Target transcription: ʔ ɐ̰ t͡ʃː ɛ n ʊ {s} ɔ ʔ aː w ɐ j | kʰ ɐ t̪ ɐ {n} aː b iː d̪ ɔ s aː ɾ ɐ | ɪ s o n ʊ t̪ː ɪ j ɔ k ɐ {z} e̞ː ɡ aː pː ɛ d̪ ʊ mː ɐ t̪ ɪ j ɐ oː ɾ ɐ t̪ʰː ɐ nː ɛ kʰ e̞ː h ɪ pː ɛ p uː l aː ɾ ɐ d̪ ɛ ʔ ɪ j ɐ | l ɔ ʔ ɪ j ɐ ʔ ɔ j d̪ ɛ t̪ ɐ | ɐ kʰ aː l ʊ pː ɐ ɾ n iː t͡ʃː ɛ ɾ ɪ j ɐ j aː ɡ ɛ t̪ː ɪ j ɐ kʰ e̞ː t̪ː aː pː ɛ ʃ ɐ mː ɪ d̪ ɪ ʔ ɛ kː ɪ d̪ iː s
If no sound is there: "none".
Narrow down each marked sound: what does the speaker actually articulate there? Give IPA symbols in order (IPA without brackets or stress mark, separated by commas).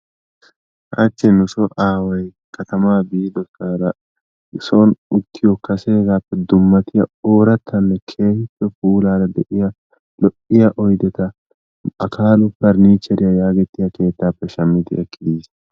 s, m, s